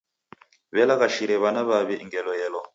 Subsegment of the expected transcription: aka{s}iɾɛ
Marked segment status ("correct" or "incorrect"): incorrect